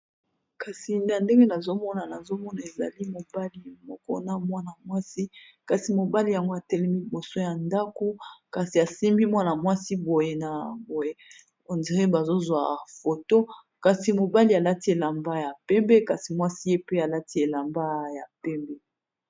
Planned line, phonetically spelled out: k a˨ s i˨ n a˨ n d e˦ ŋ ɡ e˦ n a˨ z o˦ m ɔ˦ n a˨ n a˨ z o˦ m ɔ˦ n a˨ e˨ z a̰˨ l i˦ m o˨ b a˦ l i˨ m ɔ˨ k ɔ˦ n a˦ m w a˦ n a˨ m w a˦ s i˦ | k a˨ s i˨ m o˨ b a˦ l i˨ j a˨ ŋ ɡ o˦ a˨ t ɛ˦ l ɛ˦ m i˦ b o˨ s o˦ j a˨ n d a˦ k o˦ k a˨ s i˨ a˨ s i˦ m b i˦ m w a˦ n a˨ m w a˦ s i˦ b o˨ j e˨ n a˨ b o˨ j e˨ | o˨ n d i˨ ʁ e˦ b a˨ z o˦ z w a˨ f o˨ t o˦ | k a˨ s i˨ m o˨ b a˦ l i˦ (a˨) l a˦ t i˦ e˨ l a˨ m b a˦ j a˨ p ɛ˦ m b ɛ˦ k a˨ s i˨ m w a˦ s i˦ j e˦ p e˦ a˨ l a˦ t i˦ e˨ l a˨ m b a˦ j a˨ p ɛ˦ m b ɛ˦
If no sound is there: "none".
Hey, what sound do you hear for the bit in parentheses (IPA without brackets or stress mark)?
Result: a˨